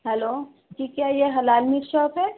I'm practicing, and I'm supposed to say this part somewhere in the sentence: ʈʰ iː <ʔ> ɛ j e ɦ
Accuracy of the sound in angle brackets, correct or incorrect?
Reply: incorrect: k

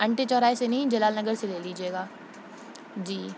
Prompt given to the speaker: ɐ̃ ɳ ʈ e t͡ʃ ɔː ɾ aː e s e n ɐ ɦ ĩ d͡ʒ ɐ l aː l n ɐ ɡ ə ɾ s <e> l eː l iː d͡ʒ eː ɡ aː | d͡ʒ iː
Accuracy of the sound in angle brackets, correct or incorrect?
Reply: correct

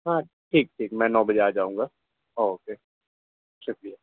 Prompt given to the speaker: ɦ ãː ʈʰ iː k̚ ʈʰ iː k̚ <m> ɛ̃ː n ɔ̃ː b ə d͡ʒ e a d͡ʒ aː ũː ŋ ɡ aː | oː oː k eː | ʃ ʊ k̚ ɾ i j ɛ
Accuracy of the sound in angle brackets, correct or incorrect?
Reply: correct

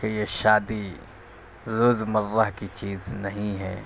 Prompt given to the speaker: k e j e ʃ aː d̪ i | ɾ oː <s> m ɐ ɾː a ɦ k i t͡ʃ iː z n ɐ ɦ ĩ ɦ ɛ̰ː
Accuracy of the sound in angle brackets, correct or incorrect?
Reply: incorrect: z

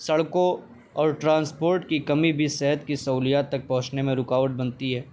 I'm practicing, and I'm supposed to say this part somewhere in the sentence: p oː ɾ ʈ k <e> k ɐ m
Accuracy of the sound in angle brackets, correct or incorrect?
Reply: incorrect: i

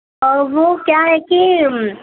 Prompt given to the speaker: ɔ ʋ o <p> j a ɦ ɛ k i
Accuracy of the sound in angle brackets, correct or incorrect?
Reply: incorrect: k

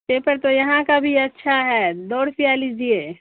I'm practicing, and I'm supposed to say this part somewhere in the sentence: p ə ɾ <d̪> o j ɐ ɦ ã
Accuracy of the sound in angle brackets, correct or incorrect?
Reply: incorrect: t̪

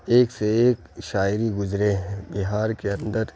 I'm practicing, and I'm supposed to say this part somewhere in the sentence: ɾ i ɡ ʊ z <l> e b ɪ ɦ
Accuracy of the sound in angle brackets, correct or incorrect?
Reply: incorrect: ɾ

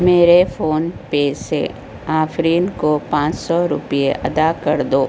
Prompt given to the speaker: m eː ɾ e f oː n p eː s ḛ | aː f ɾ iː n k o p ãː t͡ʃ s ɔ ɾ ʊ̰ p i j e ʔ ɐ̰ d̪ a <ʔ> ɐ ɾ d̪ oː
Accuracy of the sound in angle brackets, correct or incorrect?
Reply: incorrect: k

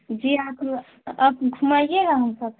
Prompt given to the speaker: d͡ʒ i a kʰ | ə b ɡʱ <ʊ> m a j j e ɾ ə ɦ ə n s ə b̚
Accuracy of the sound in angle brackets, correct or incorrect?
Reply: incorrect: u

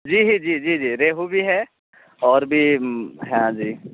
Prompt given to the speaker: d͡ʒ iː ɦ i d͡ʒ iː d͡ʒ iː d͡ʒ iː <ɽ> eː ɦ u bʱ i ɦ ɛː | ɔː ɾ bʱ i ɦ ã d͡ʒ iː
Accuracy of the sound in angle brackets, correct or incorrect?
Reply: incorrect: ɾ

